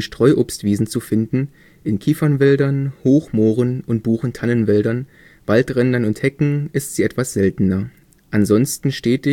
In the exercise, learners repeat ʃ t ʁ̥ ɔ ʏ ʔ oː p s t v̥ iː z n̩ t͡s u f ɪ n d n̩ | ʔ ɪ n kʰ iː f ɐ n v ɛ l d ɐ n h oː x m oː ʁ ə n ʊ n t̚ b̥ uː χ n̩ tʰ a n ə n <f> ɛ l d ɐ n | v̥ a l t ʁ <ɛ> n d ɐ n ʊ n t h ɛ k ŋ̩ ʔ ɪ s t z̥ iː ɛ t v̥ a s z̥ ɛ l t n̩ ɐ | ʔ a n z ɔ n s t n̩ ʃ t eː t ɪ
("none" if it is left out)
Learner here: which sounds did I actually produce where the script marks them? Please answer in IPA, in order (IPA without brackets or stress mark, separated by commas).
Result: v, ɛ